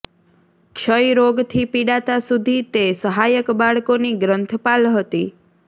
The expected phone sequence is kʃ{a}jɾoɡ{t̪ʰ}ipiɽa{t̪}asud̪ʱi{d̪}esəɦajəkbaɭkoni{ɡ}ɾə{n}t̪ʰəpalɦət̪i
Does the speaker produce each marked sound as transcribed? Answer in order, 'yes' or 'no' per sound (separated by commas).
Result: no, yes, yes, no, yes, yes